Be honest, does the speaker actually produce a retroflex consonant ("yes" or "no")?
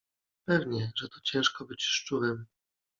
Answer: yes